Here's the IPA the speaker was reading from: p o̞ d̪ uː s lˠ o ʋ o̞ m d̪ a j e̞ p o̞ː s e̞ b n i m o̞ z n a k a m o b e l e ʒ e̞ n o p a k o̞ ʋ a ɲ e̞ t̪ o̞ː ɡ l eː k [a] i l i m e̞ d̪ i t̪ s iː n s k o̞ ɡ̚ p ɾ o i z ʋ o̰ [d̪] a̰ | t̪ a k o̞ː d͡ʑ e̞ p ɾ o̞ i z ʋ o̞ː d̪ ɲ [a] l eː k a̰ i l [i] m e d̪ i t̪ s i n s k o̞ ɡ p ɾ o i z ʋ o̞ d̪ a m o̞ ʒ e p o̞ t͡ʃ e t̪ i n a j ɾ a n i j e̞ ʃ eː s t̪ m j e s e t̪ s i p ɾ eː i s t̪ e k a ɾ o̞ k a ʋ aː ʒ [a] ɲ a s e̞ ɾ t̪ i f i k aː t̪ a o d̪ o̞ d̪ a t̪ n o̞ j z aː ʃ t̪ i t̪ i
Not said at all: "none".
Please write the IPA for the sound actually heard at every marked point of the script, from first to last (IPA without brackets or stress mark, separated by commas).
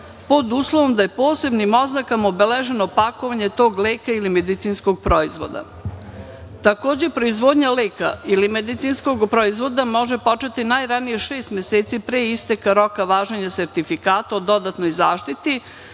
a, d̪, a, i, e